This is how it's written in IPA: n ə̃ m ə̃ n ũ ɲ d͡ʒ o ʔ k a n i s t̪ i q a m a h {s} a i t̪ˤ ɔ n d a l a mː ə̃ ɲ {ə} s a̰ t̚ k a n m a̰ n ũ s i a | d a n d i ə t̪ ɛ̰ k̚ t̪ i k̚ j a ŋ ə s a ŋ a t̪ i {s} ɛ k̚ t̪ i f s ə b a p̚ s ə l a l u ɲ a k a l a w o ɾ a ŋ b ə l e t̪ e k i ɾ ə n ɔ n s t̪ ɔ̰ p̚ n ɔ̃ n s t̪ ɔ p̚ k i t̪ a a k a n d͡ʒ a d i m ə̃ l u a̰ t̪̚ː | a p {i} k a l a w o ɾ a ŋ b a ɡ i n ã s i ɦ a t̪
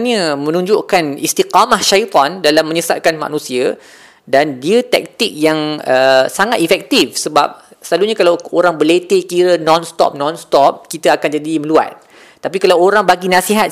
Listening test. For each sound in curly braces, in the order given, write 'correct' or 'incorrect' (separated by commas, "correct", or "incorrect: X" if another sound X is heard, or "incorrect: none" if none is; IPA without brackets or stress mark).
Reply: incorrect: ʃ, correct, incorrect: f, correct